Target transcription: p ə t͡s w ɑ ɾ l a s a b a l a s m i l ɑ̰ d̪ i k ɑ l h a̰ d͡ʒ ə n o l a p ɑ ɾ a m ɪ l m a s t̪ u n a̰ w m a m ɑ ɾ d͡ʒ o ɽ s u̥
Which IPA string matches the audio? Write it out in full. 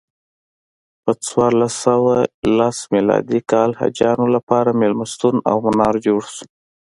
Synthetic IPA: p ə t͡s w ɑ ɾ l a s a w a l a s m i l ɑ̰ d̪ i k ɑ l h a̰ d͡ʒ ɑ n o l a p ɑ ɾ a m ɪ l m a s t̪ u n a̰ w m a n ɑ ɾ d͡ʒ o ɽ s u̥